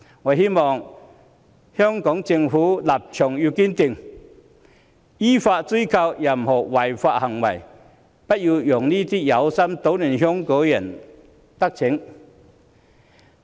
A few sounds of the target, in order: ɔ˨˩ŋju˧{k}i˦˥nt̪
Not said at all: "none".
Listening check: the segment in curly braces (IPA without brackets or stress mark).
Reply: k